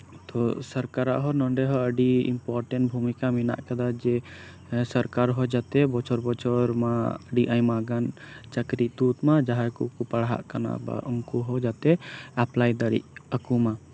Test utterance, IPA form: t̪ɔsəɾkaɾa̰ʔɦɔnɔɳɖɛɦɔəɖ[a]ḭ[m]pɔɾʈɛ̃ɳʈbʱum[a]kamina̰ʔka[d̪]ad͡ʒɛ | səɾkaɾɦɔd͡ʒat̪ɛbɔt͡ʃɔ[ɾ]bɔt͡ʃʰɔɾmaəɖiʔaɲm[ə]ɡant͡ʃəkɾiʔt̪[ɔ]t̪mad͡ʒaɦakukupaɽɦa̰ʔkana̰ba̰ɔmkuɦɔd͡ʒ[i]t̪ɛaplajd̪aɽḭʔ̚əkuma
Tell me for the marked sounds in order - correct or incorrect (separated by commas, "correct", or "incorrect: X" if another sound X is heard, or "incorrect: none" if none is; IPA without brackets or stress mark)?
incorrect: i, correct, incorrect: i, correct, correct, incorrect: a, incorrect: u, incorrect: a